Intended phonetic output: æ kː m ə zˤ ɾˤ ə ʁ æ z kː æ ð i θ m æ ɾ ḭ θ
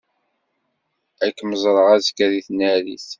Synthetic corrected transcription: æ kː m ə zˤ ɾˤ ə ʁ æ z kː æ ð i θ n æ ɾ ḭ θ